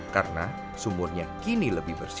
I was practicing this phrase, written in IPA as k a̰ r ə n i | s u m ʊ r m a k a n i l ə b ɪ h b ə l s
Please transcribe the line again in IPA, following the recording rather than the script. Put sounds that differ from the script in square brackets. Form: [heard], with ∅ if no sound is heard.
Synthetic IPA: k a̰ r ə n [a] | s u m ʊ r [ɲ] a k [i] n i l ə b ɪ h b ə [r] s